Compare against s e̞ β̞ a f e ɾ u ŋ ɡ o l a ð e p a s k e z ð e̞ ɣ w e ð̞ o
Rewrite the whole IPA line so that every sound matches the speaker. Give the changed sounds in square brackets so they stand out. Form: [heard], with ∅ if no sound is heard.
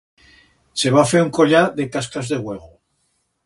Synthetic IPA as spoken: s e̞ β̞ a f e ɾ u ŋ [k] o [ʎ] a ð e [k] a s k [a] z ð e̞ ɣ w e [ɣ̞] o